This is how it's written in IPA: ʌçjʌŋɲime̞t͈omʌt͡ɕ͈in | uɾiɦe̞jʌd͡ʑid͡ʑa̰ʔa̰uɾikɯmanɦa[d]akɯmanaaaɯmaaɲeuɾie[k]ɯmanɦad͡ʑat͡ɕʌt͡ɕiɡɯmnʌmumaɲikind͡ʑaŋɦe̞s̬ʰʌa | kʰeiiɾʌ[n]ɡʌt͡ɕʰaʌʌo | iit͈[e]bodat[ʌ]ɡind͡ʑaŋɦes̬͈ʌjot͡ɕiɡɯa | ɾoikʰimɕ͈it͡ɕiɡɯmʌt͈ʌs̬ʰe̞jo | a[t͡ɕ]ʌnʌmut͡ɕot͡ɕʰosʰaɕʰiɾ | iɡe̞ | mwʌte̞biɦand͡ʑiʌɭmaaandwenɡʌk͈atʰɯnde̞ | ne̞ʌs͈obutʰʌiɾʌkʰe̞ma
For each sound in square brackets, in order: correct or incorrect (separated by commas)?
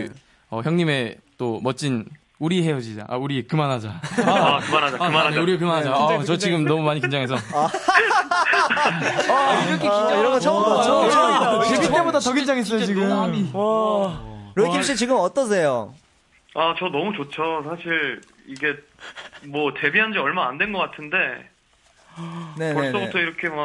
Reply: incorrect, correct, incorrect, correct, correct, correct